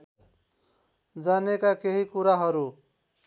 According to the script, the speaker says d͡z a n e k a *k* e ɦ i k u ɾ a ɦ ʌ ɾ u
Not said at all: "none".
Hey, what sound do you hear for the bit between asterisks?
k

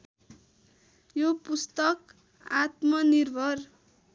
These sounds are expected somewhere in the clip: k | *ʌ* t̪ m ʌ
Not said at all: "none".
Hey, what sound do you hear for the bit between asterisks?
a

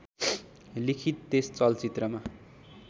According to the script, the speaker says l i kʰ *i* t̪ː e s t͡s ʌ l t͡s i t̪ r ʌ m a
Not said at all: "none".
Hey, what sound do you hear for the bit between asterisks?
i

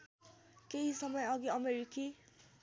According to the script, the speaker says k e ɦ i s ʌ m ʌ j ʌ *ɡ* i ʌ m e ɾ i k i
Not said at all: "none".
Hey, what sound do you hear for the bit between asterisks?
ɡ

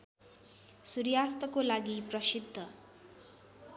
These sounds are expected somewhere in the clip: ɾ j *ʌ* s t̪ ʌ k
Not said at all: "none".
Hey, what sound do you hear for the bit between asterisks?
a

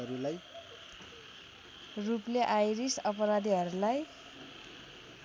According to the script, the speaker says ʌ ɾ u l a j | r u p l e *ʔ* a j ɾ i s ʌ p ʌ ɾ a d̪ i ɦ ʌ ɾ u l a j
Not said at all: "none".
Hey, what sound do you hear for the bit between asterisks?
ʔ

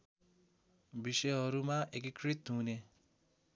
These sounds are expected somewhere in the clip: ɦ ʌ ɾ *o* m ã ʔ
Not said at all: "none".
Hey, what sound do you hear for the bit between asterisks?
u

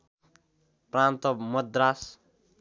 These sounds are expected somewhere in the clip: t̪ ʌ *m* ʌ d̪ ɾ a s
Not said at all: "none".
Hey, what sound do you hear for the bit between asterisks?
m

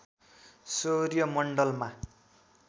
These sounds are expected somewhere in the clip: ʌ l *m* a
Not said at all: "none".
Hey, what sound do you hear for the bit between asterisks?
m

